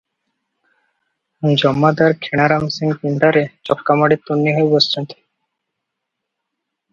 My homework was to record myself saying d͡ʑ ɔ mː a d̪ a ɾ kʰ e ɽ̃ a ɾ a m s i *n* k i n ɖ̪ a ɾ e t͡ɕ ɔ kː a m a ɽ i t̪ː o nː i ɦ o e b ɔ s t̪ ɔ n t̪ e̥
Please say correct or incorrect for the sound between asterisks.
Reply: incorrect